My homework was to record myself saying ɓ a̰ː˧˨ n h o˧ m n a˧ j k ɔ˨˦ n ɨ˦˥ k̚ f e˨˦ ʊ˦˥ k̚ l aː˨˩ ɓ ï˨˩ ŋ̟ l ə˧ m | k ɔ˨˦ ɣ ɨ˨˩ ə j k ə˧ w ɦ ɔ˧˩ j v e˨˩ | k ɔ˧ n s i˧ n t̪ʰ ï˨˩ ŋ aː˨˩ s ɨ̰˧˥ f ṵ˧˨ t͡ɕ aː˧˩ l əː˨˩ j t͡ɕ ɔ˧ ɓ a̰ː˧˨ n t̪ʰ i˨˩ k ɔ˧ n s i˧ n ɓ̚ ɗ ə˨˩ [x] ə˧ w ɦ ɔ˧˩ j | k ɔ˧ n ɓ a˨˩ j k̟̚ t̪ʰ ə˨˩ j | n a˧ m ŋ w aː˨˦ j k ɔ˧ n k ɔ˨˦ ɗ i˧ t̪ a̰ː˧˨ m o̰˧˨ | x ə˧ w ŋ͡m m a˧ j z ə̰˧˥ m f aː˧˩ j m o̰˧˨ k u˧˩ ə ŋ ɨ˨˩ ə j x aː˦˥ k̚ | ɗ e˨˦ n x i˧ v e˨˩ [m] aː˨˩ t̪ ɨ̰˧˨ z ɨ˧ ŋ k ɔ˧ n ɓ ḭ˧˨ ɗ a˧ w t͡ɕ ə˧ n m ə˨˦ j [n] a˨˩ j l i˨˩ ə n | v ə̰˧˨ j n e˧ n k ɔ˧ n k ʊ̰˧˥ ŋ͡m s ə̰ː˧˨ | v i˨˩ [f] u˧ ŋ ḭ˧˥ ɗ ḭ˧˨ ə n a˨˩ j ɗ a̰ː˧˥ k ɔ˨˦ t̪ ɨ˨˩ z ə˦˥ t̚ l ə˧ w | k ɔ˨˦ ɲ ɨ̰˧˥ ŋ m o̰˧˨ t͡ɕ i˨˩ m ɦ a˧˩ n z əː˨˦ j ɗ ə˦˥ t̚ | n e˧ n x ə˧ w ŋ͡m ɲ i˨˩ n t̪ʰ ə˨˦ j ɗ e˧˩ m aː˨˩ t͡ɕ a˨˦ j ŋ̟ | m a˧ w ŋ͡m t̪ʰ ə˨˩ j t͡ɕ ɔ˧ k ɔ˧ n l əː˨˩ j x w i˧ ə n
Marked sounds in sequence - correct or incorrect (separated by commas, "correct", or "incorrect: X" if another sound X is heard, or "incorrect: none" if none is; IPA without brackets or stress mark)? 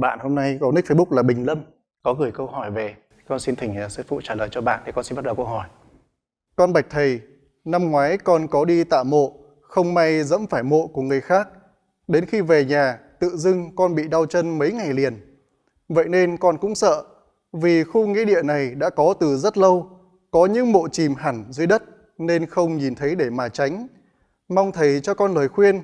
incorrect: k, incorrect: ɲ, incorrect: ŋ, incorrect: x